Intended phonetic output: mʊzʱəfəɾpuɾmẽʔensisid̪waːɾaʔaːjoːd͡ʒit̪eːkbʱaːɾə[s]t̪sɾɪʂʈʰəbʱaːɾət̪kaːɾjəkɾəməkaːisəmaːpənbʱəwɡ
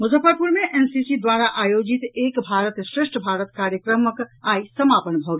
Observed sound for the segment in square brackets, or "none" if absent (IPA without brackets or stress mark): none